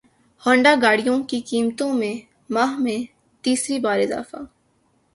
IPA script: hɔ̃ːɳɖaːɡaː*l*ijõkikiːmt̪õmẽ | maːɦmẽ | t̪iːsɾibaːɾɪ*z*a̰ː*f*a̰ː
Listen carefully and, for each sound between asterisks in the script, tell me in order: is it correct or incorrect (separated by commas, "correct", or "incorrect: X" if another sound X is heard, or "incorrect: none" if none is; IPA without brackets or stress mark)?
incorrect: ɽ, correct, correct